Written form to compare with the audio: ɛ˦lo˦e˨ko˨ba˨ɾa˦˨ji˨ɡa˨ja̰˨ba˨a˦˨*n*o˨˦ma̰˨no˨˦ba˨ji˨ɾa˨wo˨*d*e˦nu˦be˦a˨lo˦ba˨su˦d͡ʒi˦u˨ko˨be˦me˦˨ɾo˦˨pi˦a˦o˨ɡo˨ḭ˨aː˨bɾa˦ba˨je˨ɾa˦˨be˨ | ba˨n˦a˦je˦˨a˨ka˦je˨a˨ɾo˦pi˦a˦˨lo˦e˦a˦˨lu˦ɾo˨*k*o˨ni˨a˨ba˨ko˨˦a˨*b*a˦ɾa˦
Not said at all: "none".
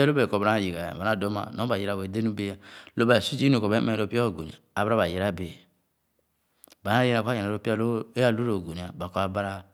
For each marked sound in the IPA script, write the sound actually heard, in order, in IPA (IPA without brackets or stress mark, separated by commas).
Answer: d, d, ɡ, b